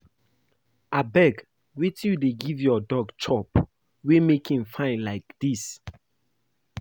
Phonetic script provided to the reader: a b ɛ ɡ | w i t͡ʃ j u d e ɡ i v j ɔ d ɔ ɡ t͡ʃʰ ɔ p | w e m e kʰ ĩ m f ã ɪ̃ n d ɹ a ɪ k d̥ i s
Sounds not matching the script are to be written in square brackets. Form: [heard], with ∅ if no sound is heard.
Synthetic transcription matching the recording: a b ɛ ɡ | w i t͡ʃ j u d e ɡ i v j ɔ d ɔ ɡ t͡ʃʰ ɔ p | w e m e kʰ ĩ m f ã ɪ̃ n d [l] a ɪ k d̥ i s